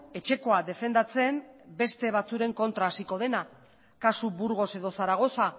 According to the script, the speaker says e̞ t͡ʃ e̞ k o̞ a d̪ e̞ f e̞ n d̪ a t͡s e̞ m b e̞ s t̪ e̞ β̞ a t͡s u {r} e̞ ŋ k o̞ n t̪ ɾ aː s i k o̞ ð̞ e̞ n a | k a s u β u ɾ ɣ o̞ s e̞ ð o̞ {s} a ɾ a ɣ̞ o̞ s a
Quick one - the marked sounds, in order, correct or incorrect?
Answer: incorrect, correct

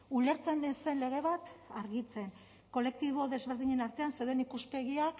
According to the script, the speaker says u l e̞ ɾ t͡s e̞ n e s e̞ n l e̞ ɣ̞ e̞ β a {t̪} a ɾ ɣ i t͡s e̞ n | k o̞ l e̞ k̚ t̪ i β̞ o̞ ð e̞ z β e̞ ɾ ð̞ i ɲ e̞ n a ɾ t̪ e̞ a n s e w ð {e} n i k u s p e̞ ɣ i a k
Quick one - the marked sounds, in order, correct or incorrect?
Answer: correct, correct

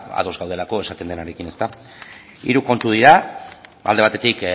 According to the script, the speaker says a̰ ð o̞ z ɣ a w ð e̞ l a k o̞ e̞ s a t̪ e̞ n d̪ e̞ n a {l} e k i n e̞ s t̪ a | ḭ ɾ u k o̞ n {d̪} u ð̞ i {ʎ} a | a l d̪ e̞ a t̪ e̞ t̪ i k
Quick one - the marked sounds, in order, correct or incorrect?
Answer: incorrect, incorrect, incorrect

